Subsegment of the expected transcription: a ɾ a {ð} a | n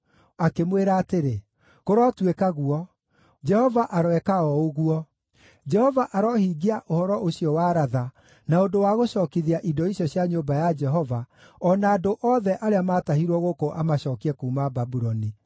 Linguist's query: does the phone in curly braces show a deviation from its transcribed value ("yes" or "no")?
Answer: no